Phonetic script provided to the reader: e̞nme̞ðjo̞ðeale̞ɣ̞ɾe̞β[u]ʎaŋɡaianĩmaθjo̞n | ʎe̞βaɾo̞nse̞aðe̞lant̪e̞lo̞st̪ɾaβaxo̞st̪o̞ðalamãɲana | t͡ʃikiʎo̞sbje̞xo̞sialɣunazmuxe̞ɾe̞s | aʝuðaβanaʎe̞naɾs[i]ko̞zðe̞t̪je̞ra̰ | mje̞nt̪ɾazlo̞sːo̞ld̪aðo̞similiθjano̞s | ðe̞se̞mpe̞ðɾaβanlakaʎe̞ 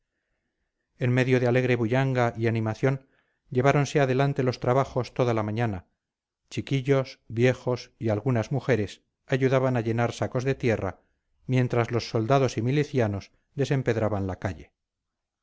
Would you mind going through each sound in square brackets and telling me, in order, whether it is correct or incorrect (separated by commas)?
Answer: correct, incorrect